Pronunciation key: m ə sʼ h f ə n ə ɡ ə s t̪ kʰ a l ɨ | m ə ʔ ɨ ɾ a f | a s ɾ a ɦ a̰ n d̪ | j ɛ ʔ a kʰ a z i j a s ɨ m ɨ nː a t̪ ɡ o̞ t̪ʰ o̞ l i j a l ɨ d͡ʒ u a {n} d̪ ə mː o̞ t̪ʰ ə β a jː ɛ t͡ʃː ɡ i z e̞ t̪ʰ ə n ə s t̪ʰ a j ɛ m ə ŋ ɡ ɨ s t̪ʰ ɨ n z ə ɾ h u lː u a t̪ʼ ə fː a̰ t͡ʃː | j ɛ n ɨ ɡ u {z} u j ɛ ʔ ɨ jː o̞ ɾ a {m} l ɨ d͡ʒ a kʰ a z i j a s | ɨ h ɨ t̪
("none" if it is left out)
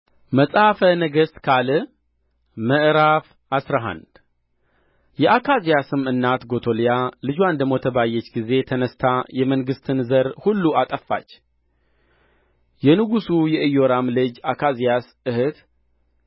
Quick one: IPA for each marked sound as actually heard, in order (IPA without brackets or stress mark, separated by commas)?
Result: n, s, m